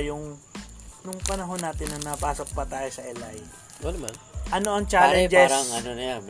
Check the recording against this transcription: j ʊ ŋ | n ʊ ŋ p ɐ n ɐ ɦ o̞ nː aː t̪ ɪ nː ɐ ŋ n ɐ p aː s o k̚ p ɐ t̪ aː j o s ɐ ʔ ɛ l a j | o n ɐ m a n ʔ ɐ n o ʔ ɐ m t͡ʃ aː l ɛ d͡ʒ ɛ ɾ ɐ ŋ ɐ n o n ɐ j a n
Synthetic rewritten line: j ʊ ŋ | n ʊ ŋ p ɐ n ɐ ɦ o̞ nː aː t̪ ɪ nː ɐ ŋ n ɐ p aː s o k̚ p ɐ t̪ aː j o s ɐ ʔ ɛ l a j | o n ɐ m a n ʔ ɐ n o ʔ ɐ ŋ t͡ʃ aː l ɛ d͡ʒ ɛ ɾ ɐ ŋ ɐ n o n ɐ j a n